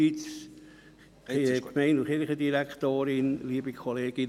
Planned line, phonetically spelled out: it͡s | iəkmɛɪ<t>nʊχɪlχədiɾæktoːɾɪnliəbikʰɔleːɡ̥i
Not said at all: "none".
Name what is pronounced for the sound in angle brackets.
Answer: none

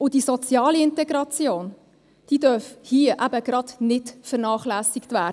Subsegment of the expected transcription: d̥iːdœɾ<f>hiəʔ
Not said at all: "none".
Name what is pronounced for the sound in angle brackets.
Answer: f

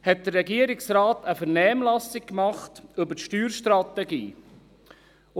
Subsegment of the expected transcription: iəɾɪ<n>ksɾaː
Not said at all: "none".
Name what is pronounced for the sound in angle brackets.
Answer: none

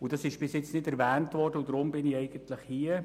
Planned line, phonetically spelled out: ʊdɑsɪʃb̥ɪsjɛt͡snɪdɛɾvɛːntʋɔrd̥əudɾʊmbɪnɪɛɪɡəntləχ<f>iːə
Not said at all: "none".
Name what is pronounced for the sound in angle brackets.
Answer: h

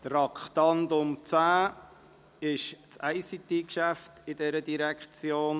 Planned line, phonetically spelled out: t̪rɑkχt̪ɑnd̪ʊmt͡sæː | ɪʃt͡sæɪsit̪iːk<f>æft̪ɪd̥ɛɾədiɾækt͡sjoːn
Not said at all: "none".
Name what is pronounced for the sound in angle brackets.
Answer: ʃ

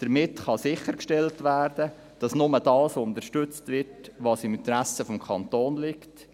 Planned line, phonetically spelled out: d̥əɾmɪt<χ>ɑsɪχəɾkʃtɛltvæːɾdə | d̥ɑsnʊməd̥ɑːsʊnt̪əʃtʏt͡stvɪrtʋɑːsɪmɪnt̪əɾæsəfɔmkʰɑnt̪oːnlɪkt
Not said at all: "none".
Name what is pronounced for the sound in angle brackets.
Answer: χ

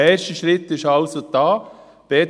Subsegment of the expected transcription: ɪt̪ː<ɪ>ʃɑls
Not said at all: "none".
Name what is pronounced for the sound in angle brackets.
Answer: ɪ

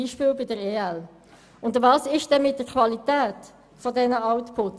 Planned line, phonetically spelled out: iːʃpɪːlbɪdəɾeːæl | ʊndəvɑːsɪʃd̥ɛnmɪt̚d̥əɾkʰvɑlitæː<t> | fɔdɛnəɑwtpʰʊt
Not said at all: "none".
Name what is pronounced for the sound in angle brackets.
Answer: t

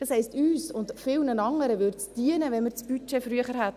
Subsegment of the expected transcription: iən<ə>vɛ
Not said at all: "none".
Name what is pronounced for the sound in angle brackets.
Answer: ə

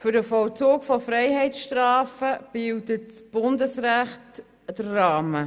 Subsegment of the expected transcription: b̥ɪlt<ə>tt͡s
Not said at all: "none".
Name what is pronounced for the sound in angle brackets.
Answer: ə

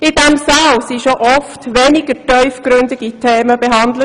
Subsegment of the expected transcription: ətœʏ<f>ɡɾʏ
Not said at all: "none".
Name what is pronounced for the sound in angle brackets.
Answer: f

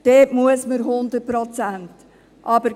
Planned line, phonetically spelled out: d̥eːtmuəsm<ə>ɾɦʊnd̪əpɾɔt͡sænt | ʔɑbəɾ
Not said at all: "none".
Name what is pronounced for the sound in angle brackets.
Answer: ə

